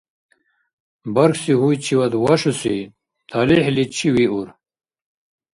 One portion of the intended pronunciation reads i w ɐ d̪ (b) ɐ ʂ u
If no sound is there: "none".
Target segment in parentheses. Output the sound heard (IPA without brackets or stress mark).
w